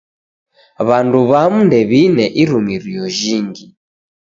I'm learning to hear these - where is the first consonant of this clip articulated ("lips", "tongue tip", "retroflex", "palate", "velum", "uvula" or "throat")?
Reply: lips